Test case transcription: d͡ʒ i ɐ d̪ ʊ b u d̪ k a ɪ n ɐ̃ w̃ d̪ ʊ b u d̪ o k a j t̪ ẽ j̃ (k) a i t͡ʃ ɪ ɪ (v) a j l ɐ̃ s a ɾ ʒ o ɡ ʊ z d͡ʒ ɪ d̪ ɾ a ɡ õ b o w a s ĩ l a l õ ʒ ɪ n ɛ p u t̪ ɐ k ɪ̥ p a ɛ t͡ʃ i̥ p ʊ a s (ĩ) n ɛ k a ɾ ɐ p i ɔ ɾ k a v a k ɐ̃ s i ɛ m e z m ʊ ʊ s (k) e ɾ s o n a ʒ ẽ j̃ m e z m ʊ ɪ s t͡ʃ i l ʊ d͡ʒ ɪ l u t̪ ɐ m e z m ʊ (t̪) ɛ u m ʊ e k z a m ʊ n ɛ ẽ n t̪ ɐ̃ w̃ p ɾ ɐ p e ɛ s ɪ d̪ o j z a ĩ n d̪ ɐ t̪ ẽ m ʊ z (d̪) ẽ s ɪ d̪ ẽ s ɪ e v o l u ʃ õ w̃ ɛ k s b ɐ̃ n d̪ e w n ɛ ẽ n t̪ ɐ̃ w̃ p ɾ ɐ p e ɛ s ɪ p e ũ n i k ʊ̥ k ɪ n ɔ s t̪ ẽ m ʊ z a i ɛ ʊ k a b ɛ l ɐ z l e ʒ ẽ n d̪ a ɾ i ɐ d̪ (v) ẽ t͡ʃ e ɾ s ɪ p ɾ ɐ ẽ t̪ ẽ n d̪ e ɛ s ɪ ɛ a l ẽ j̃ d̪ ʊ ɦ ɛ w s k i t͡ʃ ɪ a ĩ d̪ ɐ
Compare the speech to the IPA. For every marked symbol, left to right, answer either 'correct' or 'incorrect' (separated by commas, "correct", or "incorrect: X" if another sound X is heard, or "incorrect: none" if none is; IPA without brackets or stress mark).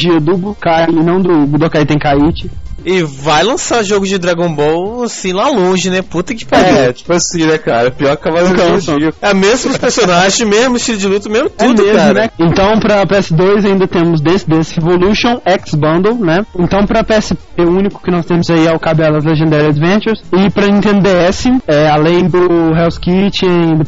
correct, correct, correct, incorrect: p, correct, correct, correct